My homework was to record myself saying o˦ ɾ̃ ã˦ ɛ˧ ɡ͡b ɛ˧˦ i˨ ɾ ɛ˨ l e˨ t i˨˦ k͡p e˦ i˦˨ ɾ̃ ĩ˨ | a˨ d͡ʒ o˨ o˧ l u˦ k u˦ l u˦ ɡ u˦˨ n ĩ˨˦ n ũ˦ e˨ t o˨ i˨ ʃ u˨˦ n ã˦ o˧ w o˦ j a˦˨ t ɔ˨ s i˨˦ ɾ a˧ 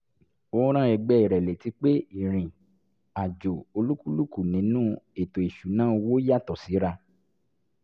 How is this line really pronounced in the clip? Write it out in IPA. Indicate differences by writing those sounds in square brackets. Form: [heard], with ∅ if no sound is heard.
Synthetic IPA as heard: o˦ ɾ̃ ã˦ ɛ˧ ɡ͡b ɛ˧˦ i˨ ɾ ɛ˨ l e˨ t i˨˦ k͡p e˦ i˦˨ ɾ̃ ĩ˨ | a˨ d͡ʒ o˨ o˧ l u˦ k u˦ l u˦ [k] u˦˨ n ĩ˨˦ n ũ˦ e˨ t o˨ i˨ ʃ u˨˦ n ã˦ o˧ w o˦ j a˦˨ t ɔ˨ s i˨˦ ɾ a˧